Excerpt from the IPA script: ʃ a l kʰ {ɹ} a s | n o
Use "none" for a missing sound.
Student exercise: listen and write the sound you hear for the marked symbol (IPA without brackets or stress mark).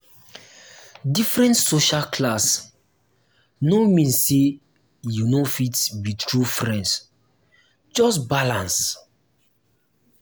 l